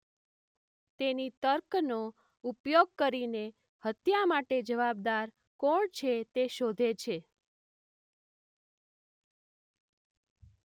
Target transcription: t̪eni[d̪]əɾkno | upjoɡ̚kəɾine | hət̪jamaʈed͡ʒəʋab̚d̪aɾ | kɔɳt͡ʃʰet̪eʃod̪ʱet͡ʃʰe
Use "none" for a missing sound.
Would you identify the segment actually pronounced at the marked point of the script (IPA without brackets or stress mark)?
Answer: t̪